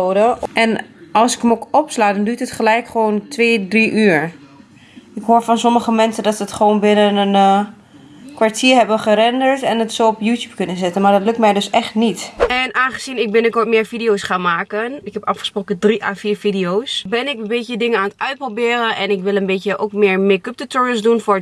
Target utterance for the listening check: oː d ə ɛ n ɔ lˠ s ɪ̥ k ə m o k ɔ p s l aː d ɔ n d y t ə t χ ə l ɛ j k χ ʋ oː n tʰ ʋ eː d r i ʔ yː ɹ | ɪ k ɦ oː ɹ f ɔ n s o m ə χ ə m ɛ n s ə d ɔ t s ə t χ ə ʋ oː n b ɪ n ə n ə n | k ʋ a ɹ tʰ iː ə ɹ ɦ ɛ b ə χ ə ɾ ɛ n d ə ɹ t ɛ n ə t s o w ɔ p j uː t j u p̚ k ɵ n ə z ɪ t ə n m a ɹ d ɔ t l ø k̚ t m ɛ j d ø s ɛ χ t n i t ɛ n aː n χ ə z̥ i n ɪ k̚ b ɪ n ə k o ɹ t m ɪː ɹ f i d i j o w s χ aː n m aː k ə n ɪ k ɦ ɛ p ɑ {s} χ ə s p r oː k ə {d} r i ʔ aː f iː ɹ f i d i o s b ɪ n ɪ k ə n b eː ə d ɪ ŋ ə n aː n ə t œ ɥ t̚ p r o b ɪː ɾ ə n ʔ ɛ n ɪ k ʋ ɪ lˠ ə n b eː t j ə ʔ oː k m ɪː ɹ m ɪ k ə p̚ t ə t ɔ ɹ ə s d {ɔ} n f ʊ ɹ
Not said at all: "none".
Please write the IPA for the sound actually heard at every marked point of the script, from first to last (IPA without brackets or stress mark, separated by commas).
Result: f, d, u